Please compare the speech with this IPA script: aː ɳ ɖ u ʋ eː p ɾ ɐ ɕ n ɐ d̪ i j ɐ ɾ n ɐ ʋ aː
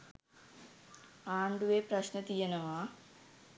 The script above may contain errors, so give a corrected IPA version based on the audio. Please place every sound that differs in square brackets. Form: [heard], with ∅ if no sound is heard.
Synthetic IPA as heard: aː ɳ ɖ u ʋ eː p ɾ ɐ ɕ n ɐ [t̪] i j ɐ [∅] n ɐ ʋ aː

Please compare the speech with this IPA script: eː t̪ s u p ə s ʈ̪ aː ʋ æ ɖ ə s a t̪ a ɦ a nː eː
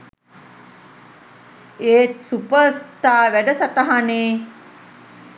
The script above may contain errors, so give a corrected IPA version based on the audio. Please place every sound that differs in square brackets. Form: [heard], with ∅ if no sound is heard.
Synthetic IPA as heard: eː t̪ s u p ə s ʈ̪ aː ʋ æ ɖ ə s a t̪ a ɦ a [n] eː

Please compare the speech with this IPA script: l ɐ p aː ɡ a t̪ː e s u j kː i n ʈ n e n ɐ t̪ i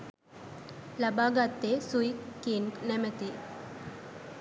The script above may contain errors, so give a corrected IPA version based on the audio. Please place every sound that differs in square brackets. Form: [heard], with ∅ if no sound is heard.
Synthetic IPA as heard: l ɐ [b] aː ɡ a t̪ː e s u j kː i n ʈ n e [m] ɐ t̪ i

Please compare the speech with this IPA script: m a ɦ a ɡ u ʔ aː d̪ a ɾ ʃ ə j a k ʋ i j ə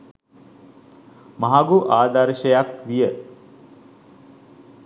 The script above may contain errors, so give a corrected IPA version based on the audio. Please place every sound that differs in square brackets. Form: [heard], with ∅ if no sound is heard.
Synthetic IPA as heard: m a ɦ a ɡ u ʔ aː d̪ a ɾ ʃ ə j a k ʋ i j ə

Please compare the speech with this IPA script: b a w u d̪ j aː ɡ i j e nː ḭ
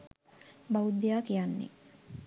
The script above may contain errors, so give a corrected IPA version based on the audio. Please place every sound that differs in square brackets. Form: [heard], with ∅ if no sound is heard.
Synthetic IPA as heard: b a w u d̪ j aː [k] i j [a] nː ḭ

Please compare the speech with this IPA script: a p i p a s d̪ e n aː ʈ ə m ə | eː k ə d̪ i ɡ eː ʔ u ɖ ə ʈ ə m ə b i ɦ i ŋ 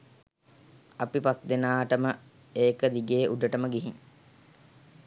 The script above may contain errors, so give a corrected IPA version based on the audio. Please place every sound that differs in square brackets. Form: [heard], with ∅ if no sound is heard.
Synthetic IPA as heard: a p i p a s d̪ e n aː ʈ ə m ə | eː k ə d̪ i ɡ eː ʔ u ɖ ə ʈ ə m ə [ɡ] i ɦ i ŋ

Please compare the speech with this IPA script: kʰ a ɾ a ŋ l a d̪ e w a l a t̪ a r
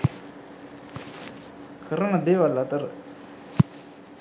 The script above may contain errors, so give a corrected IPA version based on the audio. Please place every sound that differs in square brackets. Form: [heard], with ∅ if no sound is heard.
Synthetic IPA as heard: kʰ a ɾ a ŋ l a d̪ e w a l a t̪ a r

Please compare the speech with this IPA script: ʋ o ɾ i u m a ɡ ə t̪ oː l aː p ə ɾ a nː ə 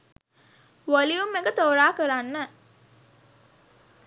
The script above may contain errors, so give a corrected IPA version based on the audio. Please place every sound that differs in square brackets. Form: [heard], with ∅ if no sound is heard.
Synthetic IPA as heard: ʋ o [l] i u m [e] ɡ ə t̪ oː [ɾ] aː [k] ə ɾ a nː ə

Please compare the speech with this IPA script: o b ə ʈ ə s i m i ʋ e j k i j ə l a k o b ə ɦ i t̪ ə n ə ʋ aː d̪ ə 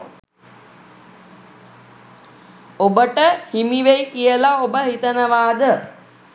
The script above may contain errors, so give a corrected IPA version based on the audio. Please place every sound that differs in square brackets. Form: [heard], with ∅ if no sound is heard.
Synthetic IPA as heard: o b ə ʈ ə [h] i m i ʋ e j k i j ə l a [∅] o b ə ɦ i t̪ ə n ə ʋ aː d̪ ə

